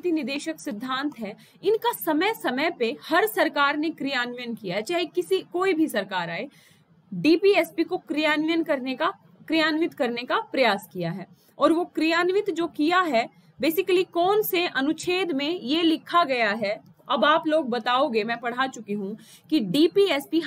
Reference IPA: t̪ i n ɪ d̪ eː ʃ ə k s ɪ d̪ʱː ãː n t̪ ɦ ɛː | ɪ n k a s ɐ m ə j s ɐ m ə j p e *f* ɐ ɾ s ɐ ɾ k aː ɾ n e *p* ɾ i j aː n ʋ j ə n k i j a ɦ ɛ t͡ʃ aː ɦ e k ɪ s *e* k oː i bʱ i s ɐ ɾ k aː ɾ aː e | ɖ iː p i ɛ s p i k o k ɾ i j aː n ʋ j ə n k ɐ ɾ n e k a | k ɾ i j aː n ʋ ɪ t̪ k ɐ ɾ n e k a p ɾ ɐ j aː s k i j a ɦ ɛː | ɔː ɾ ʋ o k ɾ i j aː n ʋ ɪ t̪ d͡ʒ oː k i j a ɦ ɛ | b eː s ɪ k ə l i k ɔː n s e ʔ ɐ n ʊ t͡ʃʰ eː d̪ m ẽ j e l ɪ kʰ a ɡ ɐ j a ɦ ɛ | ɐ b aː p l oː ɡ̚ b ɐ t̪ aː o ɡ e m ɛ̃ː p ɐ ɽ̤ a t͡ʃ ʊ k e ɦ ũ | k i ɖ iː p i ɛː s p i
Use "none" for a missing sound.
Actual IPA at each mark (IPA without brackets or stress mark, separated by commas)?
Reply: h, k, i